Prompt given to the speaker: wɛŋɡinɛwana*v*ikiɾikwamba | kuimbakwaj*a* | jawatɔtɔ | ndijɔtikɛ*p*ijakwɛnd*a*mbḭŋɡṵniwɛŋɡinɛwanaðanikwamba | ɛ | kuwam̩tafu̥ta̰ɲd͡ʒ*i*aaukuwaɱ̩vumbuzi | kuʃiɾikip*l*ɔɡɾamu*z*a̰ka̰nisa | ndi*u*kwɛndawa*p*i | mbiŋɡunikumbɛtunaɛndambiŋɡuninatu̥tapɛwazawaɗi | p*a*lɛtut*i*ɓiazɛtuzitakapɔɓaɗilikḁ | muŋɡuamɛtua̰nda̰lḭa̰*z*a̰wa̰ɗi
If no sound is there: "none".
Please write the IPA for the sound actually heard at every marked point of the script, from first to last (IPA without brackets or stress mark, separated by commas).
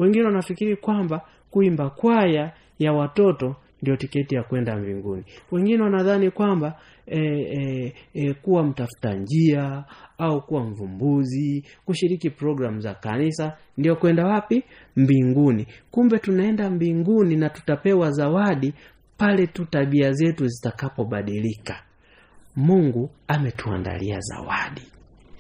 f, a, t, a, i, ɾ, z, ɔ, p, a, a, z